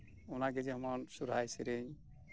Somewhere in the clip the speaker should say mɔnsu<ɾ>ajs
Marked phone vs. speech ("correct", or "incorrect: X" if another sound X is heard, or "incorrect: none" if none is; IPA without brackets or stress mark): correct